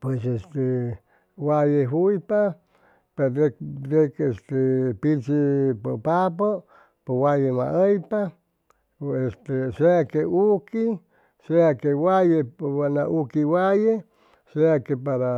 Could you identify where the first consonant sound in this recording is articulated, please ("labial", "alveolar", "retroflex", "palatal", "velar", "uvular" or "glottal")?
labial